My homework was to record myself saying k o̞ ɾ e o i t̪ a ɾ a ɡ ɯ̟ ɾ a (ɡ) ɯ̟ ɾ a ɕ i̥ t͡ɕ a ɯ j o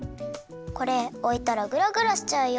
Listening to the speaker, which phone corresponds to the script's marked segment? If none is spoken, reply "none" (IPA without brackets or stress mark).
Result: ɡ